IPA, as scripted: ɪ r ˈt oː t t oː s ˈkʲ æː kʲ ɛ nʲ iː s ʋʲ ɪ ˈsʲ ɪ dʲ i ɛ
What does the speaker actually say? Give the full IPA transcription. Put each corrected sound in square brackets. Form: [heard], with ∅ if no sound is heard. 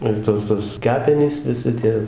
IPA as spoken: ɪ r ˈt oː [s] t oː s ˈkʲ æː [pʲ] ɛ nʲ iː s ʋʲ ɪ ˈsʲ ɪ [tʲ] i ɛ